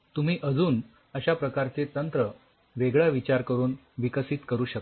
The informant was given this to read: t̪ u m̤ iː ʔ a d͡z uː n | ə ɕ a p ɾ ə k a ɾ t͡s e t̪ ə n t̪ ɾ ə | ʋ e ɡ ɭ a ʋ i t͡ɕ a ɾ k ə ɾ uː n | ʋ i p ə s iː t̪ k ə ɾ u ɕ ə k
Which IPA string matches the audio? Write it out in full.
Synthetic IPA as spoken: t̪ u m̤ iː ʔ ə d͡z uː n | ə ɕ a p ɾ ə k a ɾ t͡s e t̪ ə n t̪ ɾ ə | ʋ e ɡ ɭ a ʋ i t͡ɕ a ɾ k ə ɾ uː n | ʋ i k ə s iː t̪ k ə ɾ uː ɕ ə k